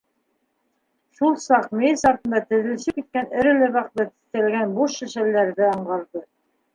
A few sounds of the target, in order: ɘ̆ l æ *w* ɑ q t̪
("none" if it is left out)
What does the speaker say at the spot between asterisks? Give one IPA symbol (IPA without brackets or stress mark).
β